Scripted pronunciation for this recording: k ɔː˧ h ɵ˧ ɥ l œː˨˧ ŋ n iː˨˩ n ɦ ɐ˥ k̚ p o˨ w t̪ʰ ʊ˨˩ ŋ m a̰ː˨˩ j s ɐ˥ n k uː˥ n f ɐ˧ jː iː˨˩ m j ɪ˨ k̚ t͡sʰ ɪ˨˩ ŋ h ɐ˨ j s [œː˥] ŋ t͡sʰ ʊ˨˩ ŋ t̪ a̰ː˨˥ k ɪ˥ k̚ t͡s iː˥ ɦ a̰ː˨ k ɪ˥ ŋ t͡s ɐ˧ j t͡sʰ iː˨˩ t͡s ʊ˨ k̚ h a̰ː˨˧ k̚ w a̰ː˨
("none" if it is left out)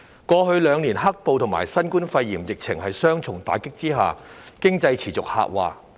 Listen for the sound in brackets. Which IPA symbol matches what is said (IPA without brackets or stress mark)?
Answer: œː˥